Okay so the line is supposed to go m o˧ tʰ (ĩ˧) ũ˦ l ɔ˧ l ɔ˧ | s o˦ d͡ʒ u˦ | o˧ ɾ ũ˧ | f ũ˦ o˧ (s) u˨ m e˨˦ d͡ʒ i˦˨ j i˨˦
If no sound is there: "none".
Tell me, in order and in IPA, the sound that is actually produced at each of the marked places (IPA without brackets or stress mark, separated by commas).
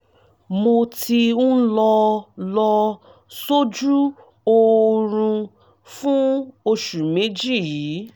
i˧, ʃ